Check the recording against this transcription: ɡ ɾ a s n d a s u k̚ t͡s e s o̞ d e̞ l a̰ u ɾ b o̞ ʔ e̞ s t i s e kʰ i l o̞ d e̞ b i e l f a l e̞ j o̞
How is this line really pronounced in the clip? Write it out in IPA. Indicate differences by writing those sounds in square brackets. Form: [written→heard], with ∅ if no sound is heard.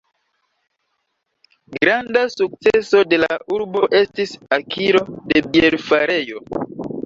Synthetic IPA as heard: ɡ ɾ a [s→∅] n d a s u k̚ t͡s e s o̞ d e̞ l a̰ u ɾ b o̞ ʔ e̞ s t i s [e→a] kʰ i [l→ɾ] o̞ d e̞ b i e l f a [l→ɾ] e̞ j o̞